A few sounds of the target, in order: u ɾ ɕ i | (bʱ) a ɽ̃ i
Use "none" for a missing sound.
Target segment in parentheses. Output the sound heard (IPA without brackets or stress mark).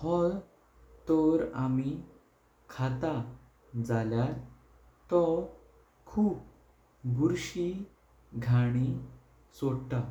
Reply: ɡʱ